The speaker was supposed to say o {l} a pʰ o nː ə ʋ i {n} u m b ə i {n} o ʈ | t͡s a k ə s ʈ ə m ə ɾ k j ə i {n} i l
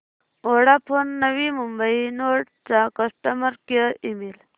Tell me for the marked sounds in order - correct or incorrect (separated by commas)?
incorrect, incorrect, correct, incorrect